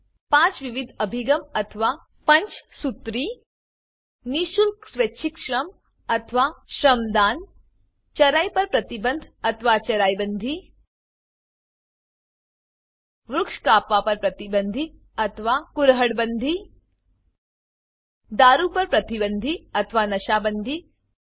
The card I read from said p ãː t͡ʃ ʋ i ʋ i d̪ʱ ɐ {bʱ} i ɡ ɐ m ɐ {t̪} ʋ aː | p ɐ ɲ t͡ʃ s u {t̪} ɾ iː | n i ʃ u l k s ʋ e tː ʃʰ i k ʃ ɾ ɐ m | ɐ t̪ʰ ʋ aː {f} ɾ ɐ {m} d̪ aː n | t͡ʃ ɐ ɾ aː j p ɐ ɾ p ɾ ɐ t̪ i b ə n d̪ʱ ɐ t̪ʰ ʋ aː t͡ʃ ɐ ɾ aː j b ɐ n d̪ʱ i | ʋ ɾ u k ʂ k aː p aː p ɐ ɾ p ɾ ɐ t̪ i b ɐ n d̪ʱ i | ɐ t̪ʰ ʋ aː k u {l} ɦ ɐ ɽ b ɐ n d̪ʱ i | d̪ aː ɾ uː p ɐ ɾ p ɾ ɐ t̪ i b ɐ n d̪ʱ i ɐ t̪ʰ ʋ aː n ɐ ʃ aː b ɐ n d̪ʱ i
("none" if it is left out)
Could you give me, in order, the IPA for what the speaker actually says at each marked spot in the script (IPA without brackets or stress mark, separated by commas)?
bʱ, t̪ʰ, t̪, ʃ, m, ɾ